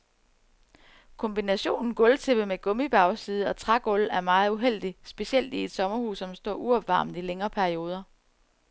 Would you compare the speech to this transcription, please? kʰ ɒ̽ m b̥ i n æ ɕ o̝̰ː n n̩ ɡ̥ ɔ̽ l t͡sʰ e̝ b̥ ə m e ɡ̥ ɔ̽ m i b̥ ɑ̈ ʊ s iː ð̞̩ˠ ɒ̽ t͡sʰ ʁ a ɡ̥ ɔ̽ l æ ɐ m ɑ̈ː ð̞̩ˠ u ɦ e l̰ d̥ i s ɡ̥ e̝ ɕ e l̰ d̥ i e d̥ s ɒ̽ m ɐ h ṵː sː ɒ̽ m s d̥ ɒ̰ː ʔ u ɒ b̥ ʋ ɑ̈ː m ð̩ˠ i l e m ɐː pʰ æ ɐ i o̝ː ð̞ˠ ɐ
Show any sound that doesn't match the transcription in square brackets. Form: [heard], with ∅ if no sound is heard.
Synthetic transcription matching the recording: kʰ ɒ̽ m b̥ i n æ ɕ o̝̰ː n n̩ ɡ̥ ɔ̽ l t͡sʰ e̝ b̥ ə m e ɡ̥ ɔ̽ m i b̥ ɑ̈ ʊ s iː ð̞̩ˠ ɒ̽ t͡sʰ ʁ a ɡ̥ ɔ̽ l æ ɐ m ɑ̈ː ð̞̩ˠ u ɦ e l̰ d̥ i s [b̥] e̝ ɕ e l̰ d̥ i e d̥ s ɒ̽ m ɐ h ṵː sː ɒ̽ m s d̥ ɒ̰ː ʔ u ɒ b̥ ʋ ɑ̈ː m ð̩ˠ i l e [ŋ] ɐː pʰ æ ɐ i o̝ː ð̞ˠ ɐ

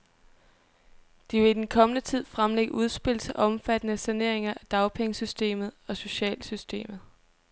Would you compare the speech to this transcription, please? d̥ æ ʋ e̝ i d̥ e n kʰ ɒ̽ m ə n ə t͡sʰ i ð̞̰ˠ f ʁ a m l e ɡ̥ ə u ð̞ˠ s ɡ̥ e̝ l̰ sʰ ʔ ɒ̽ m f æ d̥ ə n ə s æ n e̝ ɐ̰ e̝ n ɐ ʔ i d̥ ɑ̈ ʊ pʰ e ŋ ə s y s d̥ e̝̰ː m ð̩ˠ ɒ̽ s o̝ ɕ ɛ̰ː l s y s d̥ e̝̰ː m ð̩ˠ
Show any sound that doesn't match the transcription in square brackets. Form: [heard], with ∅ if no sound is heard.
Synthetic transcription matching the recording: d̥ [i] ʋ e̝ i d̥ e n kʰ ɒ̽ m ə n ə t͡sʰ i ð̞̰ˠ f ʁ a m l e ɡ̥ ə u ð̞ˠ s [b̥] e̝ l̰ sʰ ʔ ɒ̽ m f æ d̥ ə n ə s æ n e̝ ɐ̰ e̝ [ŋ] ɐ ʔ [æ] d̥ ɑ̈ ʊ pʰ e ŋ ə s y s d̥ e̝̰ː m ð̩ˠ ɒ̽ s o̝ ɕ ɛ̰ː l s y s d̥ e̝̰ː m ð̩ˠ

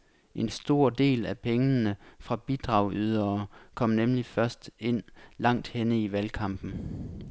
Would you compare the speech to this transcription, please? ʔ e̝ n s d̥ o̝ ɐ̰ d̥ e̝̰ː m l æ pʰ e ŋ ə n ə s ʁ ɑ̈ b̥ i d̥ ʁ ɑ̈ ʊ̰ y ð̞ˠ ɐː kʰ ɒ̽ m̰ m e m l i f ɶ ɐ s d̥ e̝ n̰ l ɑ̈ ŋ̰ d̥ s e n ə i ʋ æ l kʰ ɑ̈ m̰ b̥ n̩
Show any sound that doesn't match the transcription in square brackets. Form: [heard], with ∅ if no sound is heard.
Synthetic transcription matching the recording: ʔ e̝ n s d̥ o̝ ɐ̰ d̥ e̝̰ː [∅] l æ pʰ e ŋ ə n ə [f] ʁ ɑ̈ b̥ i d̥ ʁ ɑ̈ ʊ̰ y ð̞ˠ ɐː kʰ ɒ̽ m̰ [n] e m l i f ɶ ɐ s d̥ e̝ n̰ l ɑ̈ ŋ̰ d̥ [h] e n ə i ʋ æ l kʰ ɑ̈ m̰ b̥ n̩

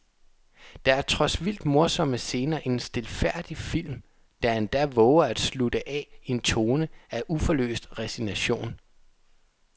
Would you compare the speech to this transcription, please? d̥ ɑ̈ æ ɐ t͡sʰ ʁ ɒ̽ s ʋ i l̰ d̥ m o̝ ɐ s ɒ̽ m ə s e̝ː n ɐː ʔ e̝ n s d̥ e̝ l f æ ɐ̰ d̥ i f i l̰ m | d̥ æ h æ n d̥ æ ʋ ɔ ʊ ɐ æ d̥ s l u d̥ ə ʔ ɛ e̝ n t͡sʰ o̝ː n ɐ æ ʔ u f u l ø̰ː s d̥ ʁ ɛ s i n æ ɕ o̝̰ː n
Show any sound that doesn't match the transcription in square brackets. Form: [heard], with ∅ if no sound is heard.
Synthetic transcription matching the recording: d̥ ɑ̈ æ ɐ t͡sʰ ʁ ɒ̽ s ʋ i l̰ d̥ m o̝ ɐ s ɒ̽ m ə s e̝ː n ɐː ʔ e̝ n s d̥ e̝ l f æ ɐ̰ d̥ i f i l̰ m | d̥ æ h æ n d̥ æ ʋ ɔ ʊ ɐ æ d̥ s l u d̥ ə ʔ ɛ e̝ n t͡sʰ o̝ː n [ə] æ ʔ u f [ɒ] l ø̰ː s d̥ ʁ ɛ s i n æ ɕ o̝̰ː n

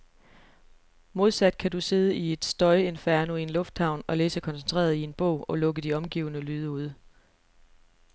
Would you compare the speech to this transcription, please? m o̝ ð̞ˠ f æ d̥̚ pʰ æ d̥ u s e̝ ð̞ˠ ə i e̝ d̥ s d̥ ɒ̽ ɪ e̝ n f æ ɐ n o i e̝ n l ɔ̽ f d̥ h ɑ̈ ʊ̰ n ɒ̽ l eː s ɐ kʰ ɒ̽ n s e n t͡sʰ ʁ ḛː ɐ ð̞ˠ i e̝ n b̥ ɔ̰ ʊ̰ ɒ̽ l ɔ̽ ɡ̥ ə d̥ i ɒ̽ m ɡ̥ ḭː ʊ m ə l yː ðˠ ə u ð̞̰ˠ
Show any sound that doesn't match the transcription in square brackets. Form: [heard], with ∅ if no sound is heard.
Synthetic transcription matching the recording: m o̝ ð̞ˠ [s] æ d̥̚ [kʰ] æ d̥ u s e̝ ð̞ˠ ə i e̝ d̥ s d̥ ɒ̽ ɪ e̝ n f æ ɐ n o i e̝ n l ɔ̽ f d̥ h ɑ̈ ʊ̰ n ɒ̽ l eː s [ə] kʰ ɒ̽ n s e n t͡sʰ ʁ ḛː ɐ ð̞ˠ i e̝ n b̥ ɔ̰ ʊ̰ ɒ̽ l ɔ̽ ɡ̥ ə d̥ i ɒ̽ m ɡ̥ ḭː ʊ [n] ə l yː ðˠ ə u ð̞̰ˠ

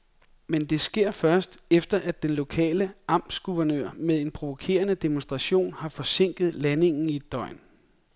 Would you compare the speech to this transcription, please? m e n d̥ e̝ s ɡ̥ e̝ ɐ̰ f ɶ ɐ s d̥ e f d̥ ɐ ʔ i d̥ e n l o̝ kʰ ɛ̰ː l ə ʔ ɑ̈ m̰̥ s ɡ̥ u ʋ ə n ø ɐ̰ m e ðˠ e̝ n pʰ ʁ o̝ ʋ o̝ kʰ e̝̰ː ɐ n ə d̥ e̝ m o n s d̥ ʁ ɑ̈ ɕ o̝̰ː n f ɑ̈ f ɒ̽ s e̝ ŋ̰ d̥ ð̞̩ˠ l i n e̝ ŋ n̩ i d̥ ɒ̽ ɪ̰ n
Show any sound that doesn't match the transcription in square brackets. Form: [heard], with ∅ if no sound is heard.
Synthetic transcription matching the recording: m e n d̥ e̝ s ɡ̥ e̝ ɐ̰ f ɶ ɐ s d̥ e f d̥ ɐ ʔ [æ] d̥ e n l o̝ kʰ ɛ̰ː l ə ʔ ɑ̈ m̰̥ s ɡ̥ u ʋ [ɐ] n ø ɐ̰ m e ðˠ e̝ n pʰ ʁ o̝ ʋ o̝ kʰ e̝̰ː ɐ n ə d̥ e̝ m o n s d̥ ʁ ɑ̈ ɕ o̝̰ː n [h] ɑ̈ f ɒ̽ s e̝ ŋ̰ [ɡ̥] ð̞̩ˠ l [æ] n e̝ ŋ n̩ i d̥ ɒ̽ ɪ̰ n

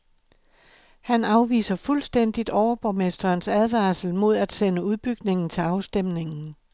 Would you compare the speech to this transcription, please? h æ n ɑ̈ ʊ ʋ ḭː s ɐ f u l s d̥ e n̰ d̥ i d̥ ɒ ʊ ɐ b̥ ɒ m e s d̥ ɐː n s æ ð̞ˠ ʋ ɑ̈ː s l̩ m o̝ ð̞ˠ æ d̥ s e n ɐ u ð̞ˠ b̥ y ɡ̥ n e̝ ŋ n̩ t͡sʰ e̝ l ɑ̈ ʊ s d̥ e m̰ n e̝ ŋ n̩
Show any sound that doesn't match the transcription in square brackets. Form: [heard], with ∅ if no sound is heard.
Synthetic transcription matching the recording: h æ n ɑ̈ ʊ ʋ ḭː s ɐ f u l s d̥ e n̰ d̥ i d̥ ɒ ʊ ɐ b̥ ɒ m e s d̥ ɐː n s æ ð̞ˠ ʋ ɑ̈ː s l̩ m o̝ ð̞ˠ æ d̥ s e n [ə] u ð̞ˠ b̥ y ɡ̥ n e̝ ŋ n̩ t͡sʰ e̝ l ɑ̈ ʊ s d̥ e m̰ n e̝ ŋ n̩

